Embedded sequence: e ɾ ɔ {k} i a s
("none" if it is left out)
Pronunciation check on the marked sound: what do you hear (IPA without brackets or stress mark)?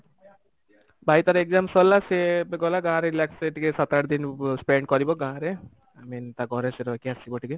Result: k